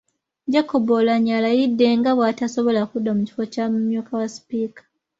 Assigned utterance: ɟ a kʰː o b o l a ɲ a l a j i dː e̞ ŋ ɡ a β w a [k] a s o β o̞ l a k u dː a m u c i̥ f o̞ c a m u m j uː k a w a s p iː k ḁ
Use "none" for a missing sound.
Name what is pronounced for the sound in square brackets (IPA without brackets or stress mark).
t